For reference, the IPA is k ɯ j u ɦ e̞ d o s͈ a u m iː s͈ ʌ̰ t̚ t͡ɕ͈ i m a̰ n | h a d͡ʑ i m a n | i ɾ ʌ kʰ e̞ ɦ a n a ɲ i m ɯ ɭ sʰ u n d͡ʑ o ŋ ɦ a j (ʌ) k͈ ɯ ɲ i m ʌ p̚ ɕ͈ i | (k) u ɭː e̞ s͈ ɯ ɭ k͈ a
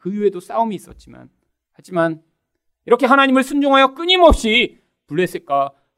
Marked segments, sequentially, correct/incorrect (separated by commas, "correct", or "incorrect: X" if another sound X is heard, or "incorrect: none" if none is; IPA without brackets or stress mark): correct, incorrect: p